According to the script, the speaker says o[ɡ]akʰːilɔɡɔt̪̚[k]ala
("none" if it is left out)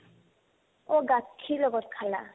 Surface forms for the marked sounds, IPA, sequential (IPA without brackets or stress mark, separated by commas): ɡ, kʰ